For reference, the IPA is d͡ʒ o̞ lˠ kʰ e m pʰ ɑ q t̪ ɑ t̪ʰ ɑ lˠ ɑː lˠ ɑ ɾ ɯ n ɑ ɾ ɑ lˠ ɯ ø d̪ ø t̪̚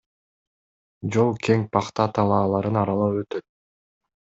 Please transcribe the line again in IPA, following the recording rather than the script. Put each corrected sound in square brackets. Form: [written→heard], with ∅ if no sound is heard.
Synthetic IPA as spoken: d͡ʒ o̞ lˠ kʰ e [m→ŋ] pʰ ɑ q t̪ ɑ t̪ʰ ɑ lˠ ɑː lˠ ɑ ɾ ɯ n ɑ ɾ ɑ lˠ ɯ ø [d̪→t̪] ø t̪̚